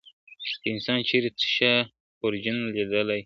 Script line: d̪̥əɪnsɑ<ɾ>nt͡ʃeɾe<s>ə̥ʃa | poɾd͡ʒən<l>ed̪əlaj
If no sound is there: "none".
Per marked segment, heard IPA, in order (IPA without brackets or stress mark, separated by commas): none, t͡s, l